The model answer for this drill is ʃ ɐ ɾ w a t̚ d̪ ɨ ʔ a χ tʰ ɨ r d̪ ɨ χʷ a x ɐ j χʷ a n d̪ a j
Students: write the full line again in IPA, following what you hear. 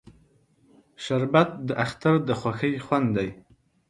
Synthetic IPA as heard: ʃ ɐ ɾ b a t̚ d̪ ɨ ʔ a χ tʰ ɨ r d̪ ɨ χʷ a x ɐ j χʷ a n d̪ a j